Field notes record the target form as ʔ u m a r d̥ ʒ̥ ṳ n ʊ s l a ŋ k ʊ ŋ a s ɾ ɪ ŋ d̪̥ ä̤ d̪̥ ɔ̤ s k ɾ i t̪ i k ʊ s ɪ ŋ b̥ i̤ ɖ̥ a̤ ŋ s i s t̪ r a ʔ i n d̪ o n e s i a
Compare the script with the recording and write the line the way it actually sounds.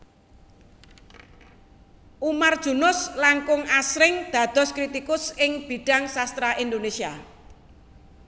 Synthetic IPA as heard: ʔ u m a r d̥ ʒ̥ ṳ n ʊ s l a ŋ k ʊ ŋ a s ɾ ɪ ŋ d̪̥ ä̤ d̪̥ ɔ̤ s k ɾ i t̪ i k ʊ s ɪ ŋ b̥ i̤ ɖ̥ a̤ ŋ s a s t̪ ɾ a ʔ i n d̪ o n e s i a

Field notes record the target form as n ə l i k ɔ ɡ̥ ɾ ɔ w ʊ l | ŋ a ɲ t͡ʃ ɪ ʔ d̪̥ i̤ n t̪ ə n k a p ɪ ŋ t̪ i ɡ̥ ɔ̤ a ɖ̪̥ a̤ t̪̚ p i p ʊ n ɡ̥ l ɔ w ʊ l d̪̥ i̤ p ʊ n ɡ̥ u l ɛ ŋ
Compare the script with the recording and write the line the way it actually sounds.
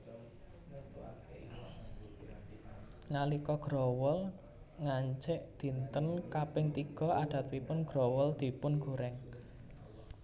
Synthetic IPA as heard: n a l i k ɔ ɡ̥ ɾ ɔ w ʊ l | ŋ a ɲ t͡ʃ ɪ ʔ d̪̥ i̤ n t̪ ə n k a p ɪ ŋ t̪ i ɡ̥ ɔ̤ a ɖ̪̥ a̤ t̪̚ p i p ʊ n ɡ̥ ɾ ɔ w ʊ l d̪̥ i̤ p ʊ n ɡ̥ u ɾ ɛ ŋ

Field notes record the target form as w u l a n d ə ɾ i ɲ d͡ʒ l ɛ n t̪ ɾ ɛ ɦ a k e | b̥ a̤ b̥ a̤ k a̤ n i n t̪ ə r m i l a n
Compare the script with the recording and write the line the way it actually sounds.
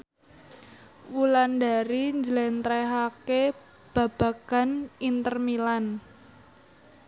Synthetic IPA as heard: w u l a n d a ɾ i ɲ d͡ʒ l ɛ n t̪ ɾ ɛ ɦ a k e | b̥ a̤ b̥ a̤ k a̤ n i n t̪ ə r m i l a n

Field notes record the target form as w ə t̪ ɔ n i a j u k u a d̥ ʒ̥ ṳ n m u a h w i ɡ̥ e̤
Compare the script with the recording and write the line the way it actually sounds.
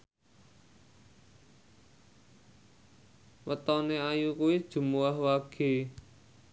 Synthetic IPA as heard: w ə t̪ ɔ n e a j u k u i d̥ ʒ̥ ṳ m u a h w a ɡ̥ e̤

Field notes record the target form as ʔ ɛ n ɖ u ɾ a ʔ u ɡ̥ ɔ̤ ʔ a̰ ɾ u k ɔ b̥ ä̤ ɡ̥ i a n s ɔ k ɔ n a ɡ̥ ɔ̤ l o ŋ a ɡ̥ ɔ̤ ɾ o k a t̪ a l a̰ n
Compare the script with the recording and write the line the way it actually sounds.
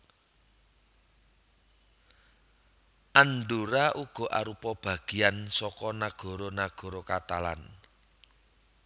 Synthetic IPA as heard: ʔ a n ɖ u ɾ a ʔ u ɡ̥ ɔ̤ ʔ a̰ ɾ u p ɔ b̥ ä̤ ɡ̥ i a n s ɔ k ɔ n a ɡ̥ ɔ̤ ɾ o n a ɡ̥ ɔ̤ ɾ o k a t̪ a l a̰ n

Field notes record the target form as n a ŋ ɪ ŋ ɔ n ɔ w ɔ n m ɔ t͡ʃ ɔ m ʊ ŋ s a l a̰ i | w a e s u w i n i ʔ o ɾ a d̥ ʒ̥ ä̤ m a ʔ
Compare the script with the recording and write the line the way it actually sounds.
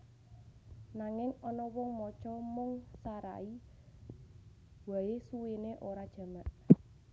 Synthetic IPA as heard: n a ŋ ɪ ŋ ɔ n ɔ w ɔ ŋ m ɔ t͡ʃ ɔ m ʊ ŋ s a ɾ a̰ i | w a e s u w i n e ʔ o ɾ a d̥ ʒ̥ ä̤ m a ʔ

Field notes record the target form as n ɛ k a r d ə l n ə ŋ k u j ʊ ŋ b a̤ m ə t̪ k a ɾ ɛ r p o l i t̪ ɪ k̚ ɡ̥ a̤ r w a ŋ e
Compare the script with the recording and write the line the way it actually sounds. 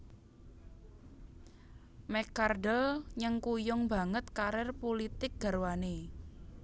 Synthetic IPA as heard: m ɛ k a r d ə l ɲ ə ŋ k u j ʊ ŋ b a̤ ŋ ə t̪ k a ɾ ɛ r p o l i t̪ ɪ k̚ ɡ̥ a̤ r w a n e

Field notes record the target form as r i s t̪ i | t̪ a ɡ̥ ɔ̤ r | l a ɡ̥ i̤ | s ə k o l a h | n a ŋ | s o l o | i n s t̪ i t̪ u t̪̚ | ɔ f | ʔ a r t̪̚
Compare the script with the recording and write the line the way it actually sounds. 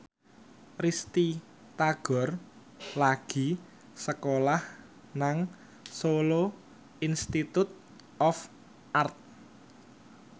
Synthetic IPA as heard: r i s t̪ i | t̪ a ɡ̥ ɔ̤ r | l a ɡ̥ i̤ | s ə k o l a h | n a ŋ | s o l o | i n s t̪ i t̪ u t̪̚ | ɔ f | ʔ a r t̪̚

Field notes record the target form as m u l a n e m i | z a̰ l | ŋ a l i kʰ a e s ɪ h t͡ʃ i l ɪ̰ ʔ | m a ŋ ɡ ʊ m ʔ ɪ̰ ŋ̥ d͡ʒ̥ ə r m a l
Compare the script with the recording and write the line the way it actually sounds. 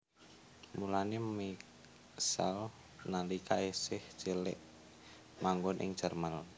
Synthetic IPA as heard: m u l a n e m i | s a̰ l | n a l i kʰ a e s ɪ h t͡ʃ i l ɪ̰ ʔ | m a ŋ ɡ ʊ n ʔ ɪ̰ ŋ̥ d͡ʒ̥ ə r m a l

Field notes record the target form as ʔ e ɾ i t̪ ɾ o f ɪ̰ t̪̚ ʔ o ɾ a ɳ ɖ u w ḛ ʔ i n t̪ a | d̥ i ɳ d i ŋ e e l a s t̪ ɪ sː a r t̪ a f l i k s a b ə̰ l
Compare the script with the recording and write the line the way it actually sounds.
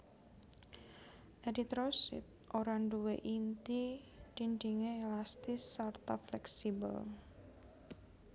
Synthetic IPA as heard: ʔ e ɾ i t̪ ɾ o s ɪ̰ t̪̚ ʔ o ɾ a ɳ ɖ u w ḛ ʔ i n t̪ i | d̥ i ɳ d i ŋ e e l a s t̪ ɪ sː a r t̪ a f l ɛ k s i b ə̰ l

